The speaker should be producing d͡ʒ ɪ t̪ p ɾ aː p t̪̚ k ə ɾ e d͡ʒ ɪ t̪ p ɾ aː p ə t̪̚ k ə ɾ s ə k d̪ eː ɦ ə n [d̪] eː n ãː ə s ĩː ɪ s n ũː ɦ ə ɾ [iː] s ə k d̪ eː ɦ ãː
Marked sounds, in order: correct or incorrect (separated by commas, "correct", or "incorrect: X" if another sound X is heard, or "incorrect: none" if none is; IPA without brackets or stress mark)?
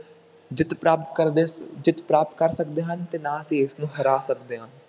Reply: incorrect: t̪, incorrect: aː